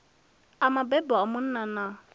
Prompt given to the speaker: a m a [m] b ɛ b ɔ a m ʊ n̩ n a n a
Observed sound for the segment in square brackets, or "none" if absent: none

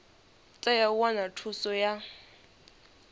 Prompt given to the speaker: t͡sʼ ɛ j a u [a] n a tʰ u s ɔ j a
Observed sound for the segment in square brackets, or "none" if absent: a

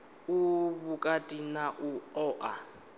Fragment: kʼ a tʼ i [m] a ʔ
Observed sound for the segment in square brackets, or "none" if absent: n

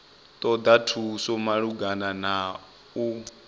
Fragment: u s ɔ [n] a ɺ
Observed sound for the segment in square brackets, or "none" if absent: m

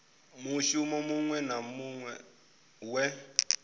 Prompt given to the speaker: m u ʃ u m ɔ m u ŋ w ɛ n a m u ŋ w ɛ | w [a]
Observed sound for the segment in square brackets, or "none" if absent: ɛ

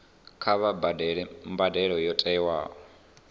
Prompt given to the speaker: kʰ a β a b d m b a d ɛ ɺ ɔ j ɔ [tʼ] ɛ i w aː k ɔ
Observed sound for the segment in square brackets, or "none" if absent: tʼ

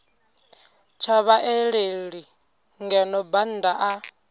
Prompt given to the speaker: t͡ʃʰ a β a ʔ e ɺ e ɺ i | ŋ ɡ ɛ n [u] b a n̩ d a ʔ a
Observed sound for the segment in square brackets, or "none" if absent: ɔ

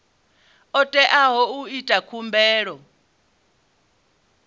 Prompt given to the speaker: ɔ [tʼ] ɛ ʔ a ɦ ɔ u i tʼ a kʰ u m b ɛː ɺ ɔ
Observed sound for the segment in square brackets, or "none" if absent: tʼ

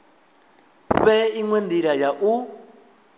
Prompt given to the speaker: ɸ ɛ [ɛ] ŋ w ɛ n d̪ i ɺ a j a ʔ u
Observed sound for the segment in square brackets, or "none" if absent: i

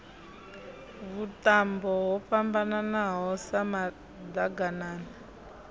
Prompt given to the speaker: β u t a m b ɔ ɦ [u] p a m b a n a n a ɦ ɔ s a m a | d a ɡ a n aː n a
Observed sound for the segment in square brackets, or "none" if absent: ɔ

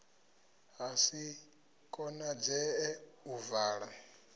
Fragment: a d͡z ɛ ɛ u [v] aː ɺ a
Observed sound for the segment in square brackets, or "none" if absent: v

